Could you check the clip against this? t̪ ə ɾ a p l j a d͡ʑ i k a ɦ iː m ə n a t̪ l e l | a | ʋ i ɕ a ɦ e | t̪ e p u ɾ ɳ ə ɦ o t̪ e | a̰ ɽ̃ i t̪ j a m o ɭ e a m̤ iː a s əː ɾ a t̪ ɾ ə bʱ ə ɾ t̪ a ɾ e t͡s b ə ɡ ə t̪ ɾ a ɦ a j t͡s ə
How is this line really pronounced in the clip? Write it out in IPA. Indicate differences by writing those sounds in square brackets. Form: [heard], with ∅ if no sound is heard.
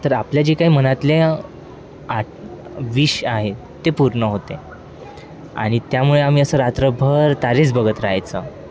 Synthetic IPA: t̪ ə ɾ a p l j a d͡ʑ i k a ɦ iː m ə n a t̪ l e [∅] | a | ʋ i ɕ a ɦ e | t̪ e p u ɾ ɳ ə ɦ o t̪ e | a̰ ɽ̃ i t̪ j a m [u] ɭ e a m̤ iː [ə] s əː ɾ a t̪ ɾ ə bʱ ə ɾ t̪ a ɾ e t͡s b ə ɡ ə t̪ ɾ a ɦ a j t͡s ə

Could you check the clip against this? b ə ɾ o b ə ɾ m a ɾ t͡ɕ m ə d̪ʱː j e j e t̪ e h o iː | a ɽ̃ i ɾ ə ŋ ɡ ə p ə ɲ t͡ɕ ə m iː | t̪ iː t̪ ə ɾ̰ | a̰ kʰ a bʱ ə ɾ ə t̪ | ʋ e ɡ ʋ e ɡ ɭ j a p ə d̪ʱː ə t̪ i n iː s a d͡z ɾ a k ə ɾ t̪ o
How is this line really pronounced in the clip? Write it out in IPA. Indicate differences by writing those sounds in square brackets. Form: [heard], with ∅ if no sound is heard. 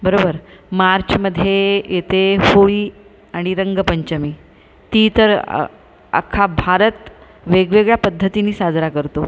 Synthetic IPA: b ə ɾ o b ə ɾ m a ɾ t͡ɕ m ə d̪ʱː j e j e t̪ e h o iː | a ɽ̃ i ɾ ə ŋ ɡ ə p ə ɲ t͡ɕ ə m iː | t̪ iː t̪ ə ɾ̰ | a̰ kʰ a bʱ [a] ɾ ə t̪ | ʋ e ɡ ʋ e ɡ ɭ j a p ə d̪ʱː ə t̪ i n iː s a d͡z ɾ a k ə ɾ t̪ o

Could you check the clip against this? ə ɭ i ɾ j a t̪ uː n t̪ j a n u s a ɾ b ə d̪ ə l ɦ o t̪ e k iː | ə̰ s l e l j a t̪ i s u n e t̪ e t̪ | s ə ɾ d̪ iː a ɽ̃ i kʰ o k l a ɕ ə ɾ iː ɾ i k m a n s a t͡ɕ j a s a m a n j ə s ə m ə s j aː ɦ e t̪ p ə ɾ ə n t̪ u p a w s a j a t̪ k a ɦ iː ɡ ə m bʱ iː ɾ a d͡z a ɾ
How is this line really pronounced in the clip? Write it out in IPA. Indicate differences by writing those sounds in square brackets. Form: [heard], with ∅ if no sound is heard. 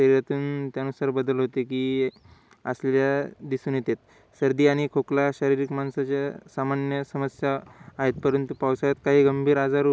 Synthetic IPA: ə [ɾ] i ɾ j a t̪ uː n t̪ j a n u s a ɾ b ə d̪ ə l ɦ o t̪ e k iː | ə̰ s l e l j a [d̪] i s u n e t̪ e t̪ | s ə ɾ d̪ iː a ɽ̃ i kʰ o k l a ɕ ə ɾ [i] ɾ i k m a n s a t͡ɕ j a s a m a n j ə s ə m ə s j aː ɦ e t̪ p ə ɾ ə n t̪ u p a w s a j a t̪ k a ɦ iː ɡ ə m bʱ iː ɾ a d͡z a ɾ

